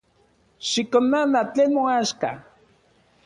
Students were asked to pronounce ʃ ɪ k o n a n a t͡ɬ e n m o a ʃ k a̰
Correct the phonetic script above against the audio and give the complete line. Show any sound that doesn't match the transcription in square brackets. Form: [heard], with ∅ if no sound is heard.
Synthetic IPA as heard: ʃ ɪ k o n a n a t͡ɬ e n m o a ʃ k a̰